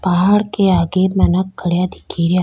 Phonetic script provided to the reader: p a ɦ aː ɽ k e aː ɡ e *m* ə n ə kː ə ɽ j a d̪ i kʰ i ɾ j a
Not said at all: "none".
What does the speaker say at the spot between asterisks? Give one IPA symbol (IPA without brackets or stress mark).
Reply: m